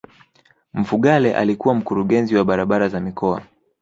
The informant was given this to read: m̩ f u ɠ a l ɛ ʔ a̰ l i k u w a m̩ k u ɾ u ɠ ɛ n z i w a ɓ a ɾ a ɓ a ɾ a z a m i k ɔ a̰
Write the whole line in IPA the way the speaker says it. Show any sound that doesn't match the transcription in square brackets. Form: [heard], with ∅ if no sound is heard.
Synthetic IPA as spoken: m̩ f u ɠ a l ɛ ʔ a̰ l i k u w a m̩ k u ɾ u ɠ ɛ n z i w a ɓ a ɾ a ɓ a ɾ a z a m i k ɔ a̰